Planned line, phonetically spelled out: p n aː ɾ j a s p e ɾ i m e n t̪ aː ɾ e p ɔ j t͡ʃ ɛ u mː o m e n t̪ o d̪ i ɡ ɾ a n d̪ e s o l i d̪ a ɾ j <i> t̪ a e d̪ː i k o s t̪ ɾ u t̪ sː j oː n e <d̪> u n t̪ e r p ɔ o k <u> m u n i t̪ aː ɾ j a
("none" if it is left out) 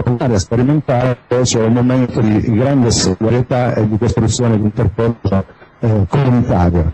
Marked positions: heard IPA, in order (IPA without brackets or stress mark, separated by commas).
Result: e, d̪, o